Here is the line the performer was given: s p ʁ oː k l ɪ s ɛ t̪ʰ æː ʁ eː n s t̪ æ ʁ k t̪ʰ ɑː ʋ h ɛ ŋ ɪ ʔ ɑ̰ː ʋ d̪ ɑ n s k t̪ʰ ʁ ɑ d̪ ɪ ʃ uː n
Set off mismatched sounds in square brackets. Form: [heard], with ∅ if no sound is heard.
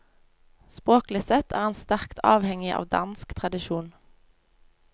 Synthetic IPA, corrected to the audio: s p ʁ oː k l ɪ s ɛ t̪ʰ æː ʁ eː n s t̪ æ ʁ k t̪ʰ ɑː ʋ h ɛ ŋ ɪ ʔ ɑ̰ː ʋ d̪ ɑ n s k t̪ʰ ʁ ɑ d̪ ɪ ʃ uː n